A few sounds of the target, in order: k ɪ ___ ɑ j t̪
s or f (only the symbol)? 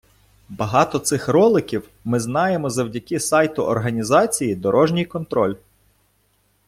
s